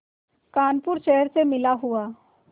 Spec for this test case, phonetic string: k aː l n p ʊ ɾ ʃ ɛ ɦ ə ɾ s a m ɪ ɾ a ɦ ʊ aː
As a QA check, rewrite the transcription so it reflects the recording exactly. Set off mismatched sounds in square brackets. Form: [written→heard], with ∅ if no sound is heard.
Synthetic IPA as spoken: k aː [l→∅] n p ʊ ɾ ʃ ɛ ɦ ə ɾ s [a→e] m ɪ [ɾ→l] a ɦ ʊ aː